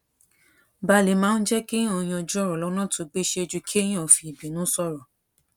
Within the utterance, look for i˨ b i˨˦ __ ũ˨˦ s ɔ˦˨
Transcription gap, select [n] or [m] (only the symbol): n